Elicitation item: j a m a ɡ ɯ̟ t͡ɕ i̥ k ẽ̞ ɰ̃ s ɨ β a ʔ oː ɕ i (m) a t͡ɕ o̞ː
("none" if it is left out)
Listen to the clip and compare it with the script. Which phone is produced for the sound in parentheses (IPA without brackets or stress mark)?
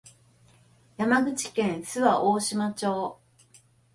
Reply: m